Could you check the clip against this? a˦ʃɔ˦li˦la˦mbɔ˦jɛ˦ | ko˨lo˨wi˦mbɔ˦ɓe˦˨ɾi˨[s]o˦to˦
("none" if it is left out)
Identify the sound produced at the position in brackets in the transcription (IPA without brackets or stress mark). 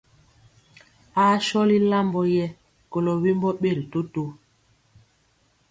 t